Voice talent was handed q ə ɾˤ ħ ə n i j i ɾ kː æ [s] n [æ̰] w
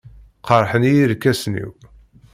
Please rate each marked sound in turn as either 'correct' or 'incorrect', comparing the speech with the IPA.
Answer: correct, incorrect: ḭ

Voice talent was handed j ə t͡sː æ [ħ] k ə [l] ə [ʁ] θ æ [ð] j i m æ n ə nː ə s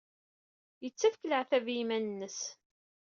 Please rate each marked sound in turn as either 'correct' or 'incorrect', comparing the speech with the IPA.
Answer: incorrect: f, correct, incorrect: ʕ, incorrect: v

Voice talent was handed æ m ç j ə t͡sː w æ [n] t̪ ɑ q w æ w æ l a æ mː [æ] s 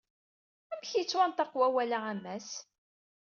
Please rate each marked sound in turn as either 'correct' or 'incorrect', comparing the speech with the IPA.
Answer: correct, correct

